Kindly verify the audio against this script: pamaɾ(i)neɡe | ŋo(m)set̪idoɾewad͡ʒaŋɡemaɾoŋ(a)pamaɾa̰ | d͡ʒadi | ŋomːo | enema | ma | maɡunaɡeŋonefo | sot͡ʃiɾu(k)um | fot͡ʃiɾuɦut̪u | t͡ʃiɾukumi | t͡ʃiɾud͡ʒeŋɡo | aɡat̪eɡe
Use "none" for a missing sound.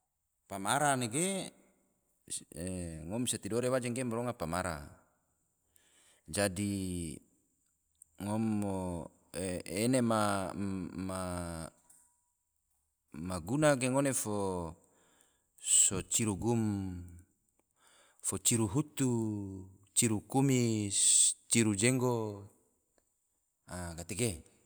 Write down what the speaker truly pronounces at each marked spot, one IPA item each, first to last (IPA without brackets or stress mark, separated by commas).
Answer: a, m, a, ɡ